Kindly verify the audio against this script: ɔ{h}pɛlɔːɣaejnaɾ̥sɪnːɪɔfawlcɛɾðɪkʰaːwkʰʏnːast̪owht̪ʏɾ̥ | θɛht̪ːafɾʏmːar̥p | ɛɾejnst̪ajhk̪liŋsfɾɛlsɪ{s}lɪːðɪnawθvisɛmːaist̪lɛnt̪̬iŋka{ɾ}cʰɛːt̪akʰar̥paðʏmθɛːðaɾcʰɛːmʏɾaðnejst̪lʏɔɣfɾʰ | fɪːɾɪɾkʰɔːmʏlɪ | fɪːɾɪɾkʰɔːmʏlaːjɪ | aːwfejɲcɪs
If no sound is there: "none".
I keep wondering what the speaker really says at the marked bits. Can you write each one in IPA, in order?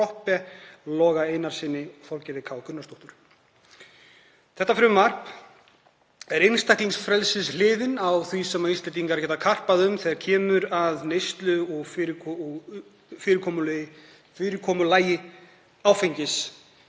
h, s, ɾ

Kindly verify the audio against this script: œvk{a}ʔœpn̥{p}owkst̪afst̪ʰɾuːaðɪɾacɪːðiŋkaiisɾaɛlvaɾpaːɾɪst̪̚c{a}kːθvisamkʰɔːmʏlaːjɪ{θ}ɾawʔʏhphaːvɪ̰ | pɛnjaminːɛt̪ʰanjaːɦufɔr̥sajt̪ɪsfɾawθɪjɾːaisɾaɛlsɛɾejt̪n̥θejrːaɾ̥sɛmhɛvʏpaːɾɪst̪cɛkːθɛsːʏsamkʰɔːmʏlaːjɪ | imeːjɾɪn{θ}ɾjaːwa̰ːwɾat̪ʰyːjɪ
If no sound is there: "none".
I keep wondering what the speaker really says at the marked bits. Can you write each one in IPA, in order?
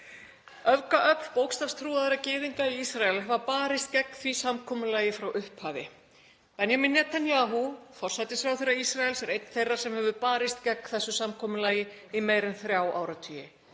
a, p, ɛ, f, θ

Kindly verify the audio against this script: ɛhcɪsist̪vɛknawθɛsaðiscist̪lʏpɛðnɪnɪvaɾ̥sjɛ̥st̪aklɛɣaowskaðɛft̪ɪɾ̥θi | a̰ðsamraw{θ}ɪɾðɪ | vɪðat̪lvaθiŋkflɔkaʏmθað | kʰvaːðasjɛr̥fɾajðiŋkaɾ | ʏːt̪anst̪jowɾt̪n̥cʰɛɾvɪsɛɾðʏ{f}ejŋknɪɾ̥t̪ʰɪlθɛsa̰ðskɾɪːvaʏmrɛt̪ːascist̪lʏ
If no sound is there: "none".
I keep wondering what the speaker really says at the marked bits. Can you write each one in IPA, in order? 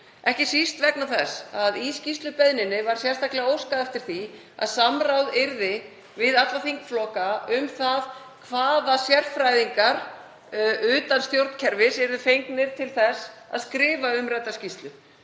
ð, f

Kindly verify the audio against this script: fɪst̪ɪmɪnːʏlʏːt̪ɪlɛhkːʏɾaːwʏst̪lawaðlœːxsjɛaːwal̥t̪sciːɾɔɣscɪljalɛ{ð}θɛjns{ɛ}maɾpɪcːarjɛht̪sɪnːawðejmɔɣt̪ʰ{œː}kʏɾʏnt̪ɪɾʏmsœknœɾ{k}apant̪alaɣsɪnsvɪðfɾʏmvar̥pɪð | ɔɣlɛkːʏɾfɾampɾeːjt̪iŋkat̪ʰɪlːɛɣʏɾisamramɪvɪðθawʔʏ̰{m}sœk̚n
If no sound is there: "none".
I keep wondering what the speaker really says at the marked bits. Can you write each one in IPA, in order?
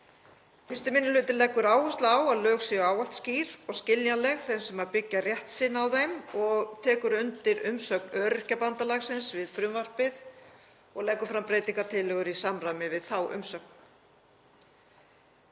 ɣ, ɛ, ɛː, c, m

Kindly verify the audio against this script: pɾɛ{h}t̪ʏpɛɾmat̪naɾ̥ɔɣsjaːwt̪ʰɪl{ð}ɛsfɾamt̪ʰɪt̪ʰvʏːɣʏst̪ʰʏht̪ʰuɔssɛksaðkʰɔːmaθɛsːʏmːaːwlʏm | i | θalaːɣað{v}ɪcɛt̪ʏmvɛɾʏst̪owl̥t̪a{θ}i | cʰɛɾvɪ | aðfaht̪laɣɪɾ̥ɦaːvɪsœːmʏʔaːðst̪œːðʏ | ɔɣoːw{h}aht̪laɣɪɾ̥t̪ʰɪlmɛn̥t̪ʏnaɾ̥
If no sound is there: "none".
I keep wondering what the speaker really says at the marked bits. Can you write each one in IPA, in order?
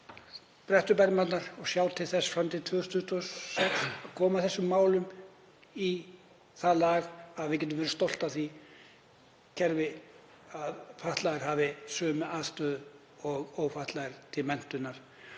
h, θ, v, θ, f

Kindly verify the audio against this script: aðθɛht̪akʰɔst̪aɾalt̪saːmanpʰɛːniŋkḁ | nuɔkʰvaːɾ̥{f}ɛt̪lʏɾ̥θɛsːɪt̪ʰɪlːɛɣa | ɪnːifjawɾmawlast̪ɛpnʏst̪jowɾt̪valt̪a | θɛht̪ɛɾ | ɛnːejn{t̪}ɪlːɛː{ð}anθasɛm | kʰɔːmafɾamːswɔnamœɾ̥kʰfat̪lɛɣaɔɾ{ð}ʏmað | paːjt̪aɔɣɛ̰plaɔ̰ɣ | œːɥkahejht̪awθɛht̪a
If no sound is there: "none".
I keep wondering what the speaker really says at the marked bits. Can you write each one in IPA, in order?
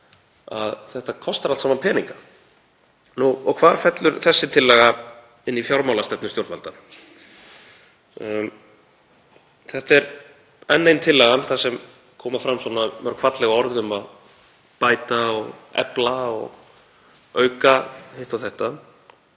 f, t̪ʰ, ɣ, ð

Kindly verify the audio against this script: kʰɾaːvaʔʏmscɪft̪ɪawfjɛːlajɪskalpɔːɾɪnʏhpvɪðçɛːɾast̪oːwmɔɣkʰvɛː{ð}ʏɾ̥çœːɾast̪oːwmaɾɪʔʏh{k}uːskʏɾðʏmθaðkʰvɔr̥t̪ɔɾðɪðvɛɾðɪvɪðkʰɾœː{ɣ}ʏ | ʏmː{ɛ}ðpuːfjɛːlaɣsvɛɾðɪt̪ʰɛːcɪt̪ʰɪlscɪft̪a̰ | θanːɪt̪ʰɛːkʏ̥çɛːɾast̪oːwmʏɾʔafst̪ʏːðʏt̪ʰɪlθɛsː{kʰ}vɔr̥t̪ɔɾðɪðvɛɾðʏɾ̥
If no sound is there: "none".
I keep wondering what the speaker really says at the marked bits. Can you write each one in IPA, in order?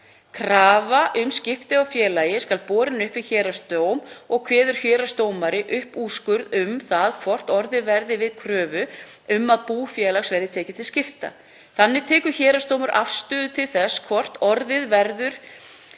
ð, p, v, a, kʰ

